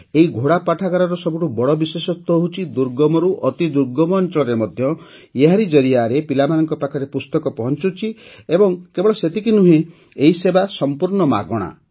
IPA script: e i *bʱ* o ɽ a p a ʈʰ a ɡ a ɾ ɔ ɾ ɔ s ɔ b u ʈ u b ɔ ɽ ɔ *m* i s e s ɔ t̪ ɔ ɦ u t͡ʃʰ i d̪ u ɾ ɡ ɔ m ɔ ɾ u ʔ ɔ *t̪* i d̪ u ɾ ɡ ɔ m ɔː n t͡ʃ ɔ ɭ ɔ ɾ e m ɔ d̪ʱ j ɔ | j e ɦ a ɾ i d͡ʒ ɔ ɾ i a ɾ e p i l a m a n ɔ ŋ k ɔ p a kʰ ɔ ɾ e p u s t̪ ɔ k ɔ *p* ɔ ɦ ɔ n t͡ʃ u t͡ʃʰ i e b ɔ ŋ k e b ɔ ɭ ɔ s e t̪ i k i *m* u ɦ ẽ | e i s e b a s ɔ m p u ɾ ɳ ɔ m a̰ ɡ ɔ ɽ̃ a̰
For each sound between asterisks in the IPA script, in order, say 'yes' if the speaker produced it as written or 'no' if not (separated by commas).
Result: no, no, yes, yes, no